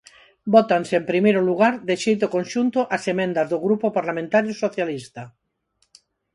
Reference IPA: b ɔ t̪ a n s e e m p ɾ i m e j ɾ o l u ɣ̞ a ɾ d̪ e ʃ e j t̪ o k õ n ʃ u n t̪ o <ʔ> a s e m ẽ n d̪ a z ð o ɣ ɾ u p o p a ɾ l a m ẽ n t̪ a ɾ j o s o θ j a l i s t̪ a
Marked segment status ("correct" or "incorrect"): correct